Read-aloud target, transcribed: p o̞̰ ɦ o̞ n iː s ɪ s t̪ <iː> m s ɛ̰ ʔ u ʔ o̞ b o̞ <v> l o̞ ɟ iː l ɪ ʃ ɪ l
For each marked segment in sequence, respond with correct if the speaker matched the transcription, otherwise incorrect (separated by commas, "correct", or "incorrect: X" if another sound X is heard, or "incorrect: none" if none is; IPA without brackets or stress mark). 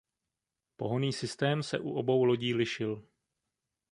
incorrect: ɛː, incorrect: w